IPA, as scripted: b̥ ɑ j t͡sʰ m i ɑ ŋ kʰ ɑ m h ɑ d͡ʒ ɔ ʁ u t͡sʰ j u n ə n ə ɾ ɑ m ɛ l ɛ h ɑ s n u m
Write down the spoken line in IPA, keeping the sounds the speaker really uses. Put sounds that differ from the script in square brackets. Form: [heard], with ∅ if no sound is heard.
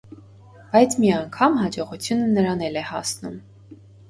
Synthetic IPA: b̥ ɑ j t͡sʰ m i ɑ ŋ kʰ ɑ m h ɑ d͡ʒ ɔ ʁ u t͡sʰ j u n ə n ə ɾ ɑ [n] ɛ l ɛ h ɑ s n u m

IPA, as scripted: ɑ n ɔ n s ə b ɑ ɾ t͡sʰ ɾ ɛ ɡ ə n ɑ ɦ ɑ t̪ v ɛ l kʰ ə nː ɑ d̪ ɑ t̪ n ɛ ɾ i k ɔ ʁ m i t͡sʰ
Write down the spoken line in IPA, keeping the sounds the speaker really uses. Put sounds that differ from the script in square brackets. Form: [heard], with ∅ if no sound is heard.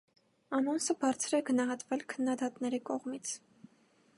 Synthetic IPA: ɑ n ɔ n s ə b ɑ ɾ t͡sʰ ɾ ɛ ɡ ə n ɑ ɦ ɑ t̪ v ɛ l kʰ ə nː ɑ d̪ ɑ t̪ n ɛ ɾ i k ɔ ʁ m i t͡sʰ

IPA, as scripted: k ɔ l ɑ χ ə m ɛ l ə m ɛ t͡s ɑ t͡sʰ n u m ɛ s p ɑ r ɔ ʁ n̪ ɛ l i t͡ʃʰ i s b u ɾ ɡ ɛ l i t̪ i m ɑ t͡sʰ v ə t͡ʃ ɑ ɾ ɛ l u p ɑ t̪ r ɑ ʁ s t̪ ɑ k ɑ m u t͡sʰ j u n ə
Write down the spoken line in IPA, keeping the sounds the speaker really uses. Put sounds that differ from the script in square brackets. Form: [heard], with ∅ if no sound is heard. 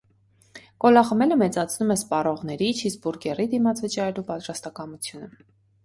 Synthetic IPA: k ɔ l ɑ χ ə m ɛ l ə m ɛ t͡s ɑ t͡sʰ n u m ɛ s p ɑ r ɔ ʁ n̪ ɛ [ɾ] i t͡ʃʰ i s b u ɾ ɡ ɛ [r] i [d̪] i m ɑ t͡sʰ v ə t͡ʃ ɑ ɾ ɛ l u p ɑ t̪ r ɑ [∅] s t̪ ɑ k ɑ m u t͡sʰ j u n ə

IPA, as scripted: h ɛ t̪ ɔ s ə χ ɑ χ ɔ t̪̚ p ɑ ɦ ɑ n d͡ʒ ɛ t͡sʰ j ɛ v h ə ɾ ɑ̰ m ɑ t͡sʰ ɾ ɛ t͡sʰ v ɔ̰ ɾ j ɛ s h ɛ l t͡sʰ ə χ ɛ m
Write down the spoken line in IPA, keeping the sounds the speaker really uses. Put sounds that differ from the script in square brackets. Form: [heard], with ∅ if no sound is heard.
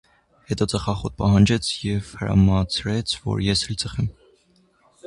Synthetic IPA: h ɛ t̪ ɔ [t͡s] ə χ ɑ χ ɔ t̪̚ p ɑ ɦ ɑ n d͡ʒ ɛ t͡sʰ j ɛ v h ə ɾ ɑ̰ m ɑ t͡sʰ ɾ ɛ t͡sʰ v ɔ̰ ɾ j ɛ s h ɛ l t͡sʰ ə χ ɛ m

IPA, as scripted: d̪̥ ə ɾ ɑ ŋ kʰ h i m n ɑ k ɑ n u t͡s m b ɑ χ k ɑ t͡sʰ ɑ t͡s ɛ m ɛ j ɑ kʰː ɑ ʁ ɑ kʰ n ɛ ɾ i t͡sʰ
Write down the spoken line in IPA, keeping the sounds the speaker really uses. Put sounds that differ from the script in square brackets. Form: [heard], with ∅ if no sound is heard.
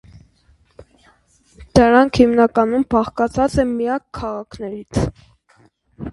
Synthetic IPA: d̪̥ ə ɾ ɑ ŋ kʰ h i m n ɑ k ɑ n u [∅] m b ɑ χ k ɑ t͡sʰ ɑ t͡s ɛ m [i] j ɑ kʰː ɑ ʁ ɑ kʰ n ɛ ɾ i t͡sʰ

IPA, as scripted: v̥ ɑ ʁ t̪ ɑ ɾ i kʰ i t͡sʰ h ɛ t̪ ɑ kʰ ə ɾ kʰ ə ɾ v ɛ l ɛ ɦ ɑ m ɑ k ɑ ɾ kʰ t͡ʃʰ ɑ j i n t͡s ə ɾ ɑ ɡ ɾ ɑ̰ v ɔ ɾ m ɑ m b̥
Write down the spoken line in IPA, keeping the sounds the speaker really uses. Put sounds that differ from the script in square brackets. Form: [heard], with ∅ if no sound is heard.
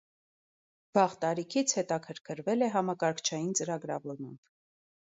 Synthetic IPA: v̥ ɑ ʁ t̪ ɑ ɾ i kʰ i t͡sʰ h ɛ t̪ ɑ kʰ ə ɾ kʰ ə ɾ v ɛ l ɛ ɦ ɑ m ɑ k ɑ ɾ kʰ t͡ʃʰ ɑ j i n t͡s ə ɾ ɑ ɡ ɾ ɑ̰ v ɔ ɾ m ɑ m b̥

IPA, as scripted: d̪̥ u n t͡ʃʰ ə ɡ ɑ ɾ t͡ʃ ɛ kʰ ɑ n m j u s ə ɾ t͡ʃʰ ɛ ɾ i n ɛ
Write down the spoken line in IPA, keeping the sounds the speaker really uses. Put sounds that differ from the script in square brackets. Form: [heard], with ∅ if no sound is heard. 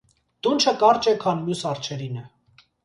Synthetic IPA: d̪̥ u n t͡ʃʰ ə [k] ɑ ɾ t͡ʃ ɛ kʰ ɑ n m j u s [ɑ] ɾ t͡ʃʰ ɛ ɾ i n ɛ

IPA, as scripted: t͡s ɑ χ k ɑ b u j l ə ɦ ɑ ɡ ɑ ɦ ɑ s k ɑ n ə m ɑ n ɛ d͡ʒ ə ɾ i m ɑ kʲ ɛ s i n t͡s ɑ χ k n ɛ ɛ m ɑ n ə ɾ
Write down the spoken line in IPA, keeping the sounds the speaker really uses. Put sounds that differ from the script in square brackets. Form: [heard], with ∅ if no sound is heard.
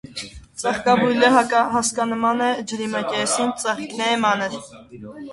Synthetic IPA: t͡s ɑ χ k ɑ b u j l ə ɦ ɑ [k] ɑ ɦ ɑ s k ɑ n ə m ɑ n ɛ d͡ʒ ə ɾ i m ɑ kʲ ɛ s i n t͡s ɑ χ k n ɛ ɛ m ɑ n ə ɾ

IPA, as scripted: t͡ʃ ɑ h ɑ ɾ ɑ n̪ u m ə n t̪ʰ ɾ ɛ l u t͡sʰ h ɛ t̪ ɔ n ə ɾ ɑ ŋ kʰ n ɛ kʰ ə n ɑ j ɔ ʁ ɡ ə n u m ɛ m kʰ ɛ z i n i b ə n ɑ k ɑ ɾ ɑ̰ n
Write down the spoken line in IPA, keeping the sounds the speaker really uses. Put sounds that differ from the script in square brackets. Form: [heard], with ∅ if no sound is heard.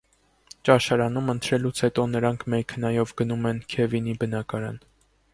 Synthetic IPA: t͡ʃ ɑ [ʃ] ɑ ɾ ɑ n̪ u m ə n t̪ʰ ɾ ɛ l u t͡sʰ h ɛ t̪ ɔ n ə ɾ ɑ ŋ kʰ [m] ɛ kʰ ə n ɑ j ɔ [v] ɡ ə n u m ɛ [n] kʰ ɛ [v] i n i b ə n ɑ k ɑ ɾ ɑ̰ n

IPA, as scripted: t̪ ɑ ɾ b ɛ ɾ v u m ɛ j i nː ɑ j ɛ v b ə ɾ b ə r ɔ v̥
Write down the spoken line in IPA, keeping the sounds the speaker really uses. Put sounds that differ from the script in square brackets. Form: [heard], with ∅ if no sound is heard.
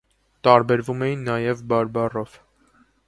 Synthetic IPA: t̪ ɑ ɾ b ɛ ɾ v u m ɛ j i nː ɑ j ɛ v b [ɑ] ɾ b [ɑ] r ɔ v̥

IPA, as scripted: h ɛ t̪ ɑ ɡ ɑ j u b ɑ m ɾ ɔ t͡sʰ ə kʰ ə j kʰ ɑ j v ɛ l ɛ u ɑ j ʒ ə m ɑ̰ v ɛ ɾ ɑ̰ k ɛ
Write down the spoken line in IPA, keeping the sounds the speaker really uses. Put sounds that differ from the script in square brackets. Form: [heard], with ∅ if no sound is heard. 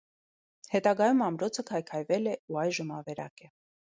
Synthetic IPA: h ɛ t̪ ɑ ɡ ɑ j u [m] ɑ m ɾ ɔ t͡sʰ ə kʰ [ɑ] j kʰ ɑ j v ɛ l ɛ u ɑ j ʒ ə m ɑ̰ v ɛ ɾ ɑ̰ k ɛ

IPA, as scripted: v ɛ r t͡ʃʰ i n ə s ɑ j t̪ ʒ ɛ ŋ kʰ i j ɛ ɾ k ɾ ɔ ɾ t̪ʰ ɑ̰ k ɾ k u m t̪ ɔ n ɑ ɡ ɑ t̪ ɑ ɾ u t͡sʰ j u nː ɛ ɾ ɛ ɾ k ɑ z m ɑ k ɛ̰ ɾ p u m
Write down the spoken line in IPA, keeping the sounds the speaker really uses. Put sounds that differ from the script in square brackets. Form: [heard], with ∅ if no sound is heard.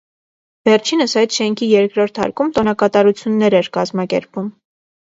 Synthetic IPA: v ɛ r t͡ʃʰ i n ə s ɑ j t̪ [ʃ] ɛ ŋ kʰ i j ɛ ɾ k ɾ ɔ ɾ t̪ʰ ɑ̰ [∅] ɾ k u m t̪ ɔ n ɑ [k] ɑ t̪ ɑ ɾ u t͡sʰ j u nː ɛ ɾ ɛ ɾ k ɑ z m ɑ k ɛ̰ ɾ p u m

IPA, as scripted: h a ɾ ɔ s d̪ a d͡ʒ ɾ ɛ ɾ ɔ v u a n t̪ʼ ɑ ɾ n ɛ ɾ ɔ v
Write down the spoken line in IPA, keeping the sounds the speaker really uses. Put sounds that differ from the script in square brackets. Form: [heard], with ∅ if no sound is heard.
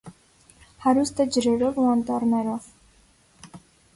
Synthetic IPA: h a ɾ [u] s [t̪] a d͡ʒ ɾ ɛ ɾ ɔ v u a n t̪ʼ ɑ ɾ n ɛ ɾ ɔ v

